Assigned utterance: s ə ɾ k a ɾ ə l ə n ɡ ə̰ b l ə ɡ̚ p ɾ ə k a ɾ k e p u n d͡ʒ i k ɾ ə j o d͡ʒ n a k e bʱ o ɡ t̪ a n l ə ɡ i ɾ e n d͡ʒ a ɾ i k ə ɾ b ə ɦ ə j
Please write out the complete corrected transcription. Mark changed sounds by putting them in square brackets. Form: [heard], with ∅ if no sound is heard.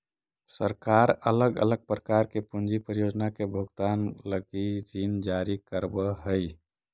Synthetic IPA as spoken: s ə ɾ k a ɾ ə l ə [∅] ɡ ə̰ [∅] l ə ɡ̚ p ɾ ə k a ɾ k e p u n d͡ʒ i [p] ɾ ə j o d͡ʒ n a k e bʱ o ɡ t̪ a n l ə ɡ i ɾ [i] n d͡ʒ a ɾ i k ə ɾ b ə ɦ ə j